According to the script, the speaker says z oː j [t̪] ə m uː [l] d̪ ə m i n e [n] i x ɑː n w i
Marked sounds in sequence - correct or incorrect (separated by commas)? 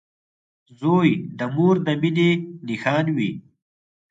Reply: incorrect, incorrect, correct